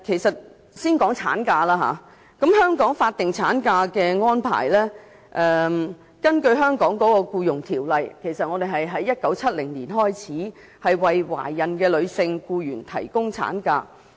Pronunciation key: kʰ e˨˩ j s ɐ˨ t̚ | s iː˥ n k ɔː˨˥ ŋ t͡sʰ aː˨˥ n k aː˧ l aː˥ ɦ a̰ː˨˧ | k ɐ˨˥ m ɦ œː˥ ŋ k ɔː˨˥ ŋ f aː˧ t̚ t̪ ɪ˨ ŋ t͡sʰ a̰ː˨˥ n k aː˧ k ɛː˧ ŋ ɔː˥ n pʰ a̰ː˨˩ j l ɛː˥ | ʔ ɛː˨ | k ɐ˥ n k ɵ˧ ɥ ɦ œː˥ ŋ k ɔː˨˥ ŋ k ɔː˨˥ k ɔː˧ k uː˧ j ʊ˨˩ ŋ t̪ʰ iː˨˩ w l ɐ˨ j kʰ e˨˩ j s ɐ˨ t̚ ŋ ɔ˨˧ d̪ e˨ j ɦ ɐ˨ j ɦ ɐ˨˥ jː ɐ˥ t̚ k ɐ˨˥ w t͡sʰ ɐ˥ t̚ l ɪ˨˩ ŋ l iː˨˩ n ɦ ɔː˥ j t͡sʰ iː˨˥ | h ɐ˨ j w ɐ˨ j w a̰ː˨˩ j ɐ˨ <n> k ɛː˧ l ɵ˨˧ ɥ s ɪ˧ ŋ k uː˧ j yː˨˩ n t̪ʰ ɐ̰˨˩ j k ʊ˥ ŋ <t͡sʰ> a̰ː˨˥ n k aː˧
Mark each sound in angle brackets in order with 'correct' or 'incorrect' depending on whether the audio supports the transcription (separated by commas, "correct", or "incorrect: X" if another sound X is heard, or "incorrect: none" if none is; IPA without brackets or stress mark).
correct, correct